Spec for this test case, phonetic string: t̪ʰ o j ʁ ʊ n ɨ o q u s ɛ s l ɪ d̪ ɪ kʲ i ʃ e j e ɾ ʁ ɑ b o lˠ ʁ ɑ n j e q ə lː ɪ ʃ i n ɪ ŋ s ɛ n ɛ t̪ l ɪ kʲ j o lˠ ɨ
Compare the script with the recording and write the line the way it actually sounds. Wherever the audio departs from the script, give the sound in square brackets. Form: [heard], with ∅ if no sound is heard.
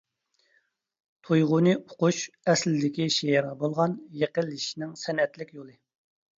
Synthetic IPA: t̪ʰ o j ʁ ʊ n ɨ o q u [ʃ] ɛ s l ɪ d̪ ɪ kʲ i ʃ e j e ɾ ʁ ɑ b o lˠ ʁ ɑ n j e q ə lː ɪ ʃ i n ɪ ŋ s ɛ n ɛ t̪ l ɪ kʲ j o lˠ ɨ